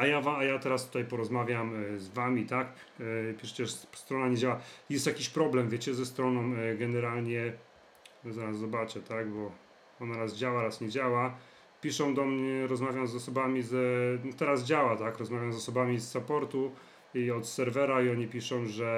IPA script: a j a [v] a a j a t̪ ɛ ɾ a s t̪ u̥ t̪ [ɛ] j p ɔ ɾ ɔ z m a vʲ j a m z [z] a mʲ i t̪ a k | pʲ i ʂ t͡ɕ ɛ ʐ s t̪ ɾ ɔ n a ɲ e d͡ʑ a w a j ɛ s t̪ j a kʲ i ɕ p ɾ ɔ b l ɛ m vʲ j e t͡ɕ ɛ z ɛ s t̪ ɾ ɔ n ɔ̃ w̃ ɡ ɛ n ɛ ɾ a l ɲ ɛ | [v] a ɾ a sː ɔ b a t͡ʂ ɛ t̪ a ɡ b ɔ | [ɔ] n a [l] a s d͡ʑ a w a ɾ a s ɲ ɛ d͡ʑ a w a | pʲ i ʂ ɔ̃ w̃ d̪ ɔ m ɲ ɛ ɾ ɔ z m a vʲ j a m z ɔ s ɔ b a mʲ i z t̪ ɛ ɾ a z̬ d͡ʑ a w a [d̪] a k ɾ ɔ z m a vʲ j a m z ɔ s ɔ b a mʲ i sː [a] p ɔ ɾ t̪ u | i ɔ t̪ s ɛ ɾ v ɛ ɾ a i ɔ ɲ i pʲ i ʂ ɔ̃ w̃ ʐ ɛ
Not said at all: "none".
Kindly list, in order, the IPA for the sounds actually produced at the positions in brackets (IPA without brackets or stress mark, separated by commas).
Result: v, a, v, z, ɔ, ɾ, t̪, a